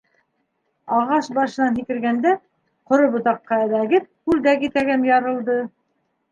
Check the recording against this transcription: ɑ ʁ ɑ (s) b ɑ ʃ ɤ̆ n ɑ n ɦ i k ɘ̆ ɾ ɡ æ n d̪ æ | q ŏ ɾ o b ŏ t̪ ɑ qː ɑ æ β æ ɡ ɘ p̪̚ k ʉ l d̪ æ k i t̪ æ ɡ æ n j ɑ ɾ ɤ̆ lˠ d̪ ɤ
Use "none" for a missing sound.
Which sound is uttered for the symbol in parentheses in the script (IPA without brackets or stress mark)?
ʃ